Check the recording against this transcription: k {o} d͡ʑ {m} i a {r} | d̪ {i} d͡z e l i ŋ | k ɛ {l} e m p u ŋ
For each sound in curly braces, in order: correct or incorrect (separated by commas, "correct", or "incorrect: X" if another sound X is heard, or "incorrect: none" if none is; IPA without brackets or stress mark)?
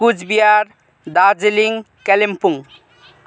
incorrect: u, incorrect: b, incorrect: ɾ, incorrect: a, correct